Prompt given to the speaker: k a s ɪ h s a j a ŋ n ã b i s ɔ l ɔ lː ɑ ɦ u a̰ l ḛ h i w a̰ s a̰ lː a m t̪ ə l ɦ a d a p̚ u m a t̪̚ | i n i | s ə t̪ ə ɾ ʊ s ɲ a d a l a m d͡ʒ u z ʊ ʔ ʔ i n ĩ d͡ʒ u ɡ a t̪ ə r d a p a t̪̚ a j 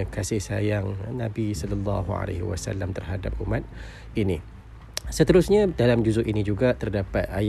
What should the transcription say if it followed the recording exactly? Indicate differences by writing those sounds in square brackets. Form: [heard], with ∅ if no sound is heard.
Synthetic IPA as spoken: k a s ɪ h s a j a ŋ n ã b i s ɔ l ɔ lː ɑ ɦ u a̰ l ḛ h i w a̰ s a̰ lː a m t̪ ə [r] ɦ a d a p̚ u m a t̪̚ | i n i | s ə t̪ ə ɾ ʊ s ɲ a d a l a m d͡ʒ u z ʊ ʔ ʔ i n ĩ d͡ʒ u ɡ a t̪ ə r d a p a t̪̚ a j